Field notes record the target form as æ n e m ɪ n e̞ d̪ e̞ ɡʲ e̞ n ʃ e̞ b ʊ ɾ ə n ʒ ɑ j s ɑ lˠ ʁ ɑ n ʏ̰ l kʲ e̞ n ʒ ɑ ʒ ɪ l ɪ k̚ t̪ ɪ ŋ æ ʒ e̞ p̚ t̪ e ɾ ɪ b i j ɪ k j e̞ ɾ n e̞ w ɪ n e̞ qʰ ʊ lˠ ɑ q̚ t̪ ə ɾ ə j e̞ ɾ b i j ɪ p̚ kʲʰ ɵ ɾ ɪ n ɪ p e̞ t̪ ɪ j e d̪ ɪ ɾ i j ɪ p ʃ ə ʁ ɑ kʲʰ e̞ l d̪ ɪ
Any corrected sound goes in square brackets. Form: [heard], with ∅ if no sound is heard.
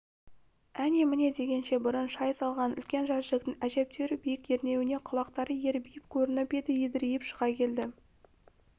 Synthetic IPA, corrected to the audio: æ n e m ɪ n e̞ d̪ e̞ ɡʲ e̞ n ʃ e̞ b ʊ ɾ ə n [ʃ] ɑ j s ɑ lˠ ʁ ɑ n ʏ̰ l kʲ e̞ n ʒ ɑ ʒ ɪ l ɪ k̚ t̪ ɪ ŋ æ ʒ e̞ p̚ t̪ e ɾ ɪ b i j ɪ k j e̞ ɾ n e̞ w ɪ n e̞ qʰ ʊ lˠ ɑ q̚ t̪ [ɑ] ɾ ə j e̞ ɾ b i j ɪ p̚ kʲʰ ɵ ɾ ɪ n ɪ p e̞ [d̪] ɪ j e d̪ ɪ ɾ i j ɪ p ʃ ə ʁ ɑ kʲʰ e̞ l d̪ ɪ